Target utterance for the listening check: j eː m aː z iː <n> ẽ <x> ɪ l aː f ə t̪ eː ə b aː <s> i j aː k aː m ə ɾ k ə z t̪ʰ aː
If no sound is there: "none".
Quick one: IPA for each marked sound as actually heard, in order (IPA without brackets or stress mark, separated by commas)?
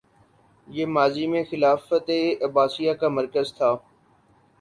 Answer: m, x, s